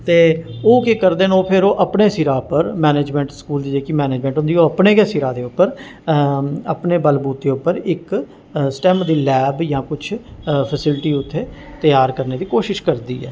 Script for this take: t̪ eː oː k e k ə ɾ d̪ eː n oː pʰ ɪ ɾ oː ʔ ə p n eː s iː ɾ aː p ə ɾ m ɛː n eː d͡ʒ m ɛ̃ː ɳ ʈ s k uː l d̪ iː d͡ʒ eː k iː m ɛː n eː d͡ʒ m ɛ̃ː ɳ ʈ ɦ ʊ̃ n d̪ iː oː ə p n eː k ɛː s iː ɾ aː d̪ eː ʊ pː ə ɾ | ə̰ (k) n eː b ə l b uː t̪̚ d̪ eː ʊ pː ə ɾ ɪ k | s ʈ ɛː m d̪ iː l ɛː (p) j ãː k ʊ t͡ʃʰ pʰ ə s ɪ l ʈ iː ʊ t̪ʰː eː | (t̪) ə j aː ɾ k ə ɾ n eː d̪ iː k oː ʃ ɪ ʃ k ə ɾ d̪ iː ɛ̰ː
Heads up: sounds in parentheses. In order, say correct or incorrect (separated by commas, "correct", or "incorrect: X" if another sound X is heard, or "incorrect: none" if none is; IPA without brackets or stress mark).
incorrect: p, incorrect: b, correct